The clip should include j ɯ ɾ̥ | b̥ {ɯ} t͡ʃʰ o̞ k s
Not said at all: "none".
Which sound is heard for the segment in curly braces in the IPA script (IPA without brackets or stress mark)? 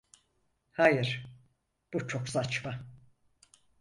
u